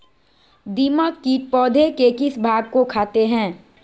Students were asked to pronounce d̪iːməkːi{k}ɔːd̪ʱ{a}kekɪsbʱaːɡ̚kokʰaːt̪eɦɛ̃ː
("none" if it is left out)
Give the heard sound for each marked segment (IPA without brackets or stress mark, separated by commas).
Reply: p, e